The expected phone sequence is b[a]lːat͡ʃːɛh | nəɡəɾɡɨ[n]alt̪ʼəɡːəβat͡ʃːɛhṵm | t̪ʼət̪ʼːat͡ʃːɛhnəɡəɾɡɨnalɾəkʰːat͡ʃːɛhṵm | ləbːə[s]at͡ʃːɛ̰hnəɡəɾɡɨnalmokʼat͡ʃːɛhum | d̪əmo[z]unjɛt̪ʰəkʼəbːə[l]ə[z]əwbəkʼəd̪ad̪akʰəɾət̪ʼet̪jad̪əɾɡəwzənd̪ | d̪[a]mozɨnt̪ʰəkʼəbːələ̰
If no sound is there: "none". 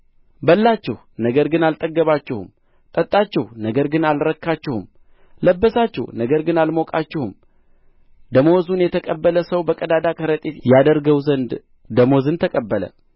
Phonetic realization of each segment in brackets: ə, n, s, z, l, s, ə

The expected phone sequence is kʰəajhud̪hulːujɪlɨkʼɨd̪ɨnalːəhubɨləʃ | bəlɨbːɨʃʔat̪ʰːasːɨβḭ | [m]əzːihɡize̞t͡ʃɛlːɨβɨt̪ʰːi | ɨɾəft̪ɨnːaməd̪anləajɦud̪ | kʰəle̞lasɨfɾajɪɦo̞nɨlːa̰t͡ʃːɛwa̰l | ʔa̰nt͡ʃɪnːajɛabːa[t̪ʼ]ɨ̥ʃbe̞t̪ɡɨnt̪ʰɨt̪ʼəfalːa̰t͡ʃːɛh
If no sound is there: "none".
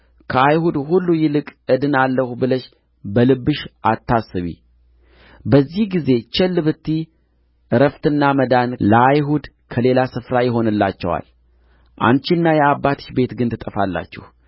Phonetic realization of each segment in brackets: b, t̪

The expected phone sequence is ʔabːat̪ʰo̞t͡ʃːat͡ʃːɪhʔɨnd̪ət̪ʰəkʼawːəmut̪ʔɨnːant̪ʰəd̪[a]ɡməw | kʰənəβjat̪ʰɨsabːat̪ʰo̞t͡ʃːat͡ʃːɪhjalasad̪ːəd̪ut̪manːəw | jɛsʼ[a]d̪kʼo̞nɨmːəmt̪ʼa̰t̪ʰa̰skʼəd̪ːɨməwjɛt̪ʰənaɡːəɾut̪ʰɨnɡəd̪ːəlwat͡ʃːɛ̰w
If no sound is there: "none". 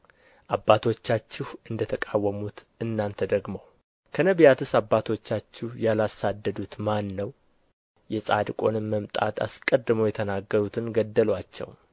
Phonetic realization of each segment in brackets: ə, a

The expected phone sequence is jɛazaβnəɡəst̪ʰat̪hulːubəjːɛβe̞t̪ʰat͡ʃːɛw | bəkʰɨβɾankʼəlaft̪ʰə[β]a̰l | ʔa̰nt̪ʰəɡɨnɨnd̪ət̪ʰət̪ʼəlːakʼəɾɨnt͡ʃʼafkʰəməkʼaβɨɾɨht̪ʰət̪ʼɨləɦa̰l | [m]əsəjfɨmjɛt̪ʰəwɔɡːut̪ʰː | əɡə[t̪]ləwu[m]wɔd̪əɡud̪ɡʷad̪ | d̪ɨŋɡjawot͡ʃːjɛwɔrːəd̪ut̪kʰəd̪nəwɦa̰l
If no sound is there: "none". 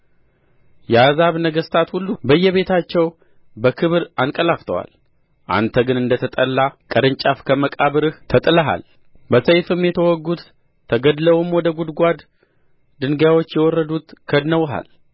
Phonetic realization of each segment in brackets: w, b, d̪, m

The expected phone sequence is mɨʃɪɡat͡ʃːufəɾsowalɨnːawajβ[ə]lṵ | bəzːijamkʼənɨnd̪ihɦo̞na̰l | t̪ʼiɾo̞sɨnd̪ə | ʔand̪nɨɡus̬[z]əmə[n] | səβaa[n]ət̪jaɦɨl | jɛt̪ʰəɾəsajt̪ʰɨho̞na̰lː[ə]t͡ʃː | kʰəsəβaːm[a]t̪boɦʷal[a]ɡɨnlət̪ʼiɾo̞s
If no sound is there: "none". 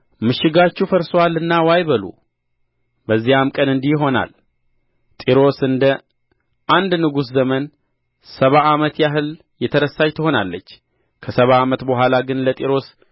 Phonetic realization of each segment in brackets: ə, z, n, m, ə, ə, a

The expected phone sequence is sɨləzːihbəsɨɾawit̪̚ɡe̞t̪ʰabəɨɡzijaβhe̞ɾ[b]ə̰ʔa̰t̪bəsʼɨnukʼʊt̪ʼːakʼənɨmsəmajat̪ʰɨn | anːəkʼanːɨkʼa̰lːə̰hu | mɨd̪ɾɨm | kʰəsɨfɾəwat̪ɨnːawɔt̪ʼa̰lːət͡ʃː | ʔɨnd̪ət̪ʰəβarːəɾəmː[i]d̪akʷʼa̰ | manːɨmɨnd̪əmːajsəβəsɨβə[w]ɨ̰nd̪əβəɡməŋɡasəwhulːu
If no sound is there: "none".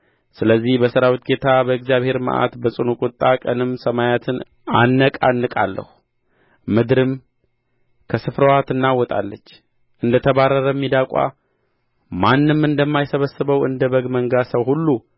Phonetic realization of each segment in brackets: m, i, w

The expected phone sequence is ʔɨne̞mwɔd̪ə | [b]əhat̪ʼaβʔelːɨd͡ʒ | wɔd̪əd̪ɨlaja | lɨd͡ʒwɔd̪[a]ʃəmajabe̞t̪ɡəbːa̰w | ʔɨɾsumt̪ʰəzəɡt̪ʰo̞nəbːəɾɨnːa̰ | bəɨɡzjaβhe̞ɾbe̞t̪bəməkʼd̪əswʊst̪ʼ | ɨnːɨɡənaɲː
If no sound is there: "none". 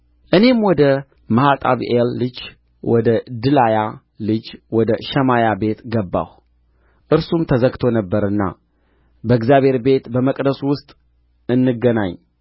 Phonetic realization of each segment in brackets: m, ə

